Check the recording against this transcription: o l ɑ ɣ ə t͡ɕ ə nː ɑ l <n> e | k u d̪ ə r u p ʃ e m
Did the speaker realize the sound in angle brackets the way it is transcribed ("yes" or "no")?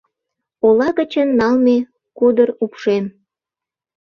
no